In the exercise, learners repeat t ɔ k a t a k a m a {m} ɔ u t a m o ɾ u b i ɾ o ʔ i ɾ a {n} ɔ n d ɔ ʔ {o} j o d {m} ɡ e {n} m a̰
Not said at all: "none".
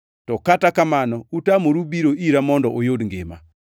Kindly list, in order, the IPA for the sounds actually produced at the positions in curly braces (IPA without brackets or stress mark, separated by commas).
n, m, o, ŋ, none